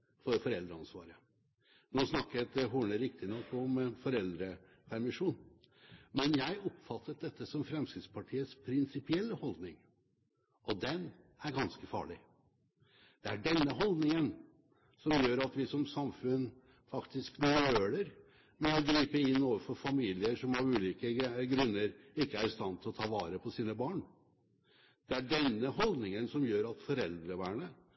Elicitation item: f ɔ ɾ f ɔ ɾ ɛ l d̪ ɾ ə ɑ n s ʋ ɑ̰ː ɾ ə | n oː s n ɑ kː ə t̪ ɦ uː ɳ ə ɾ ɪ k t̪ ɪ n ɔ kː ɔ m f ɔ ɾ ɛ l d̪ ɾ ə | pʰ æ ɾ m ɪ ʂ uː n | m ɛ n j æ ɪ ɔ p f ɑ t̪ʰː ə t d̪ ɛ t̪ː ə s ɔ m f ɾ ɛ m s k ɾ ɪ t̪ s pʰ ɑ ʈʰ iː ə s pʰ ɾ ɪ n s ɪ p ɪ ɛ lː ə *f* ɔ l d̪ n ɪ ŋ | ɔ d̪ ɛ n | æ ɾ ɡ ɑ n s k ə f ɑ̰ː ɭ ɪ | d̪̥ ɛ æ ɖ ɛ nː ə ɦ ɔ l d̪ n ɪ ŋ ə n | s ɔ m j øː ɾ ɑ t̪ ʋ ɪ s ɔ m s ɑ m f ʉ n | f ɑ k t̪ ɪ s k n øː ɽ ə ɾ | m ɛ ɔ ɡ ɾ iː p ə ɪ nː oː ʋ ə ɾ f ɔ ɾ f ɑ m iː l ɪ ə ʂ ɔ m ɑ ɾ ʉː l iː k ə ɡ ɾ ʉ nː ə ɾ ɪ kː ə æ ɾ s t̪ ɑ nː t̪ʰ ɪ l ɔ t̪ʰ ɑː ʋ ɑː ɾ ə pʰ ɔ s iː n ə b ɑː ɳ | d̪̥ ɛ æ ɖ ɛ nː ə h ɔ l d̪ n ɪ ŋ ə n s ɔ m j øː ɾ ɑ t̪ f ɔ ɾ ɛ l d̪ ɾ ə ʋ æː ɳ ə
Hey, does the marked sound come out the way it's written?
no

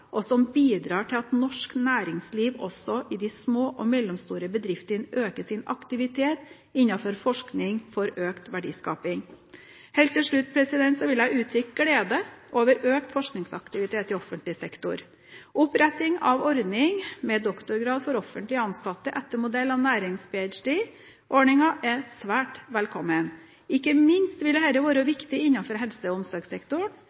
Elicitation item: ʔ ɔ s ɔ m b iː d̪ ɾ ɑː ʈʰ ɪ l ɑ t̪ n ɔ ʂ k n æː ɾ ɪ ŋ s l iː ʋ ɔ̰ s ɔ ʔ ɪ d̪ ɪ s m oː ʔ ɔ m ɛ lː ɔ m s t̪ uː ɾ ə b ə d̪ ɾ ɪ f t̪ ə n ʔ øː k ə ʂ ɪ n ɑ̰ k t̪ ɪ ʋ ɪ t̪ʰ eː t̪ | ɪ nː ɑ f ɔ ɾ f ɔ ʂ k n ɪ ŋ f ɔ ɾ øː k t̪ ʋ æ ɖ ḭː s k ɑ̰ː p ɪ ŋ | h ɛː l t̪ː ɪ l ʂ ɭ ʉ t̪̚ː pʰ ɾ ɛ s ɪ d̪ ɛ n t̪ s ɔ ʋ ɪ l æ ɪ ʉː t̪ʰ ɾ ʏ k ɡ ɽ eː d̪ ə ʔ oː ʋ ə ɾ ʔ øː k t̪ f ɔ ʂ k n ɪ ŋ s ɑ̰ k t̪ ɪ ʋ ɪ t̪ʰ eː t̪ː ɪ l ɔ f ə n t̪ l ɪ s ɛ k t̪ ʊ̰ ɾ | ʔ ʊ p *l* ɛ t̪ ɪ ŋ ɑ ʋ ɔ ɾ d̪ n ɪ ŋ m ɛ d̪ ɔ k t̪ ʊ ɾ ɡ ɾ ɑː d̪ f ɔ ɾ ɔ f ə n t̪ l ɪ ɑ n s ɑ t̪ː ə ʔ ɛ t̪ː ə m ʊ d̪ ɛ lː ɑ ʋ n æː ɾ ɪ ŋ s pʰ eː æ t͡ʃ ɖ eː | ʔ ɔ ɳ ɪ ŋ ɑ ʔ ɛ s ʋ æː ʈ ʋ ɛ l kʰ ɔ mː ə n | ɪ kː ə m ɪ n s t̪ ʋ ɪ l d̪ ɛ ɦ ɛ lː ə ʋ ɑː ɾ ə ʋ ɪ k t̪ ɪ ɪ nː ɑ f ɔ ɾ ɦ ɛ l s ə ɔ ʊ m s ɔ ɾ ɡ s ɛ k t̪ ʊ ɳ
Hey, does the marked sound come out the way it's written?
no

